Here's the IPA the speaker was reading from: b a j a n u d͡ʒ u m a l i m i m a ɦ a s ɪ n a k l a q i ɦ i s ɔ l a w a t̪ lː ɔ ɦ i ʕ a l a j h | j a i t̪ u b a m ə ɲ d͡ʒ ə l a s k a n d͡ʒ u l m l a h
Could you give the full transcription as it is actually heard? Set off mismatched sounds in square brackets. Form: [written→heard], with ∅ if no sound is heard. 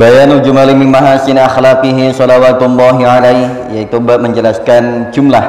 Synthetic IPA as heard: b a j a n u d͡ʒ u m a l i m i m a ɦ a s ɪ n a [k→x] l a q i ɦ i s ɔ l a w a t̪ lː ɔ ɦ i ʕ a l a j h | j a i t̪ u b a m ə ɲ d͡ʒ ə l a s k a n d͡ʒ u [l→∅] m l a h